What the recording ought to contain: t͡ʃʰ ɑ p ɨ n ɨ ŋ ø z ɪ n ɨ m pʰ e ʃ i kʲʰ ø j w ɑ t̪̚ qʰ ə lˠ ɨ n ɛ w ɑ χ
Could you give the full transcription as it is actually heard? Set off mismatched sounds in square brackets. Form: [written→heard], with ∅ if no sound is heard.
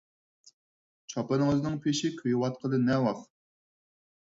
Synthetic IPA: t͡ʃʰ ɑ p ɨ n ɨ ŋ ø z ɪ n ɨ [m→ŋ] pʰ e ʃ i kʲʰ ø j w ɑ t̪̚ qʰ ə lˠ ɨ n ɛ w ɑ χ